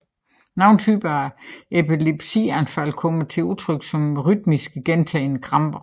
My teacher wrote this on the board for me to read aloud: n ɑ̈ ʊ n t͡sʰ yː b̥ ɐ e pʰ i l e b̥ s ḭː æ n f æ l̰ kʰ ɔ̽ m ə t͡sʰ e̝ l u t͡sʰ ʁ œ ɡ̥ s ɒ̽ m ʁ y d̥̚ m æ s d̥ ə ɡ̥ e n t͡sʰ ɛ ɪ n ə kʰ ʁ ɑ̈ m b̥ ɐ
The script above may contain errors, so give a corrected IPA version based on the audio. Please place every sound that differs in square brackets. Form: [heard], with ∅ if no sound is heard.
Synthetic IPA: n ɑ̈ ʊ n t͡sʰ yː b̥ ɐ e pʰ i l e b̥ s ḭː æ n f æ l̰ kʰ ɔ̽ m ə t͡sʰ e̝ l u t͡sʰ ʁ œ ɡ̥ s ɒ̽ m ʁ y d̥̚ m [i] s [ɡ̥] ə ɡ̥ e n t͡sʰ ɛ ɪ n ə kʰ ʁ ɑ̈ m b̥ ɐ